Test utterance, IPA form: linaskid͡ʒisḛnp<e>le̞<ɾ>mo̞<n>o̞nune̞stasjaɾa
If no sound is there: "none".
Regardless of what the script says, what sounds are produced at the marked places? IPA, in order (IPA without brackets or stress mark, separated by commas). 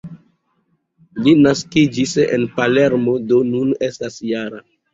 a, ɾ, d